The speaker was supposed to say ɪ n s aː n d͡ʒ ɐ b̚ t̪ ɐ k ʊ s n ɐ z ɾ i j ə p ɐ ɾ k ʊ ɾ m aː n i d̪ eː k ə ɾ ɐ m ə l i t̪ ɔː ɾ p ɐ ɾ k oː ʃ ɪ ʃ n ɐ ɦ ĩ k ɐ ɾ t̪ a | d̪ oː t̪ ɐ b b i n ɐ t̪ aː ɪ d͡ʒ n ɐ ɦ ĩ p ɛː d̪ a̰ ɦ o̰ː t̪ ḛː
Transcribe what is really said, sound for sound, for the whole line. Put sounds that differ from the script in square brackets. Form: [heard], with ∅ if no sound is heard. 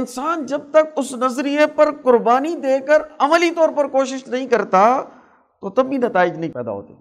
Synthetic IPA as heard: ɪ n s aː n d͡ʒ ɐ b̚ t̪ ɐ k ʊ s n ɐ z ɾ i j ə p ɐ ɾ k ʊ ɾ [b] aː n i d̪ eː k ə ɾ ɐ m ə l i t̪ ɔː ɾ p ɐ ɾ k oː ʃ ɪ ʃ n ɐ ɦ ĩ k ɐ ɾ t̪ a | [t̪] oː t̪ ɐ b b i n ɐ t̪ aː ɪ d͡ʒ n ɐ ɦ ĩ p ɛː d̪ a̰ ɦ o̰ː t̪ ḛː